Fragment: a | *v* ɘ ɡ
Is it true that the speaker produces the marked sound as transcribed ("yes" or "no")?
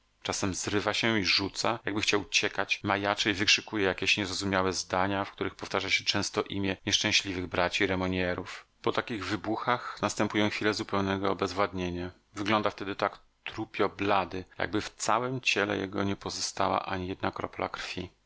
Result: yes